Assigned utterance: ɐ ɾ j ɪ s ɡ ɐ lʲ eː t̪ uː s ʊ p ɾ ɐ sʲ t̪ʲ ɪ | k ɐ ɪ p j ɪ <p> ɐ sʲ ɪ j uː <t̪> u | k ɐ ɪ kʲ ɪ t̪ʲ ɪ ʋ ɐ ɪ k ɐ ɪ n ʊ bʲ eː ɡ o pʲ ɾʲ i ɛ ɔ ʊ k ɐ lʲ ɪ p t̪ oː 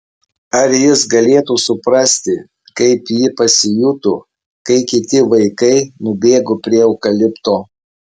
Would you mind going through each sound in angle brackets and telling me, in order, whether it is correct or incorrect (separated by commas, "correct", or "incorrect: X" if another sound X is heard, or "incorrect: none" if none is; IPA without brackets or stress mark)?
correct, correct